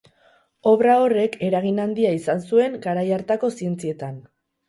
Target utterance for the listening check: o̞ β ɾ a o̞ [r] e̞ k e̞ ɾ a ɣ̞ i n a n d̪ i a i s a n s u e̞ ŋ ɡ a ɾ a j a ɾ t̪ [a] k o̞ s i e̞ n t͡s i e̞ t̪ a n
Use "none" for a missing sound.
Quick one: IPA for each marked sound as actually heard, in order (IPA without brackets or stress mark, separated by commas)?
r, a